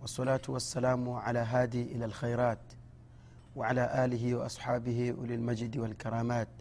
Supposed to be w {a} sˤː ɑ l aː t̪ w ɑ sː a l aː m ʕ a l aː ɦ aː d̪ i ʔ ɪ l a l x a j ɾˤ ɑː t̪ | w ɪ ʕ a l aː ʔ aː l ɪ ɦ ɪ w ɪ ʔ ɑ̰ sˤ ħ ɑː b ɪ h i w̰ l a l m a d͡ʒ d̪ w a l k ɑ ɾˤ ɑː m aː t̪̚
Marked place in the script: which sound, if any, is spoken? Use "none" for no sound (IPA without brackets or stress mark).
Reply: ɑ